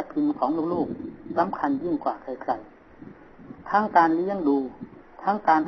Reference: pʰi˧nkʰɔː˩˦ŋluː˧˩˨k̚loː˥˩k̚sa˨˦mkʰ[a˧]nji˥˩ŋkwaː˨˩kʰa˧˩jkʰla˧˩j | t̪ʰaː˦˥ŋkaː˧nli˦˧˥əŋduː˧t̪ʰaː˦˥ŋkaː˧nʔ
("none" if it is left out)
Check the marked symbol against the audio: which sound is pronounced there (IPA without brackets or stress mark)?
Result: a˧